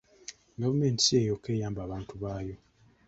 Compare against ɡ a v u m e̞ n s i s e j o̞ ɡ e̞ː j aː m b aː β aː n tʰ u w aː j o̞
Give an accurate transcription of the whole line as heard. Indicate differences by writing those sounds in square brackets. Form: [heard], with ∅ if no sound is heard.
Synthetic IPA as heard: ɡ a v u m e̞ n [t] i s e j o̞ [k] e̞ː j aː m b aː β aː n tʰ u [β] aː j o̞